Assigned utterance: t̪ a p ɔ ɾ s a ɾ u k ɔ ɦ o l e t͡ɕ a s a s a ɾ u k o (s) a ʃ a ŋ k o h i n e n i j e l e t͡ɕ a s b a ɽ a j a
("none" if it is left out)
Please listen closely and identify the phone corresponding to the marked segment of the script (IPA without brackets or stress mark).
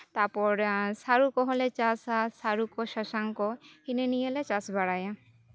ʃ